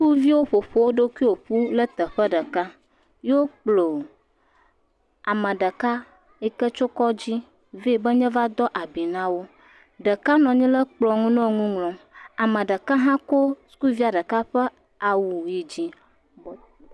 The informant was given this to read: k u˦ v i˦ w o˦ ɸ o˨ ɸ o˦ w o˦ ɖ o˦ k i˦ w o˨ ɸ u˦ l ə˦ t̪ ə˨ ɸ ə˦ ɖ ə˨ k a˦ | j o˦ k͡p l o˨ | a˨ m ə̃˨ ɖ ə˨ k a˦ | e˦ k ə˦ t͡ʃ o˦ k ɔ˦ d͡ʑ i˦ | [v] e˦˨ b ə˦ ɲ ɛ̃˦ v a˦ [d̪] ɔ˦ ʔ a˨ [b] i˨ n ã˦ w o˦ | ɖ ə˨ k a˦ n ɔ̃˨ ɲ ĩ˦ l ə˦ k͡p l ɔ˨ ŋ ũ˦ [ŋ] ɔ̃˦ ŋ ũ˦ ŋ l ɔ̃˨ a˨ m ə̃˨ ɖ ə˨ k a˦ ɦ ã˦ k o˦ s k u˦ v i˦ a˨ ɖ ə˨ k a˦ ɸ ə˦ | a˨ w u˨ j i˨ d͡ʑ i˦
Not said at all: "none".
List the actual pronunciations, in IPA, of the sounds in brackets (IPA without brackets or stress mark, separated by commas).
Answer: v, d̪, b, n